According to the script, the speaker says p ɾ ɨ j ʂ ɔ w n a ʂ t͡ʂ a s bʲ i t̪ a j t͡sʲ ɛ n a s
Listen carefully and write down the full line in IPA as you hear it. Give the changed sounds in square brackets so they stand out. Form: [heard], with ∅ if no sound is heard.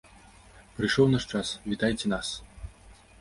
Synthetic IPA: p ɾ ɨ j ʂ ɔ w n a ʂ t͡ʂ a s [vʲ] i t̪ a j t͡sʲ ɛ n a s

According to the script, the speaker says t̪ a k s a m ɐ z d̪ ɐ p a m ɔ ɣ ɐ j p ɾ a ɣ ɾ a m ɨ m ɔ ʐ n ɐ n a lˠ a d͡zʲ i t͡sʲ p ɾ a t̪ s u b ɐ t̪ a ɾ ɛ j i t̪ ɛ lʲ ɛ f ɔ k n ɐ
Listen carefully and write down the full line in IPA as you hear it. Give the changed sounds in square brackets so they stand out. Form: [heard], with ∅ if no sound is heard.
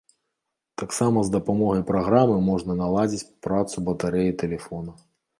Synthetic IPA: t̪ a k s a m ɐ z d̪ ɐ p a m ɔ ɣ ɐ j p ɾ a ɣ ɾ a m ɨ m ɔ ʐ n ɐ n a lˠ a d͡zʲ i t͡sʲ p ɾ a t̪ s u b ɐ t̪ a ɾ ɛ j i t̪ ɛ lʲ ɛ f ɔ [∅] n ɐ

